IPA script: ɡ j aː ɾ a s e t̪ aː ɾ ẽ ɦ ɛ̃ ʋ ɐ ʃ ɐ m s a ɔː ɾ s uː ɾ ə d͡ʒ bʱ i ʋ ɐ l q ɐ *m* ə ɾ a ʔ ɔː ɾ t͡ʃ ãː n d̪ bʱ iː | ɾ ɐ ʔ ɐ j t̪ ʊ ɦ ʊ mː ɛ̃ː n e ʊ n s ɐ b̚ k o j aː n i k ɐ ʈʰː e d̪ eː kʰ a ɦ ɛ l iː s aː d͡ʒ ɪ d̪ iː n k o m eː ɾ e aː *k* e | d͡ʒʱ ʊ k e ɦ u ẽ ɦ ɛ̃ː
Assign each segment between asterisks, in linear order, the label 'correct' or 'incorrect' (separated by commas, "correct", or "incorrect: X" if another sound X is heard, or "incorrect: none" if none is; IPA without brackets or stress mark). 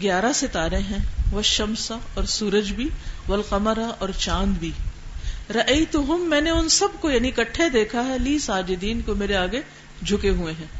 correct, incorrect: ɡ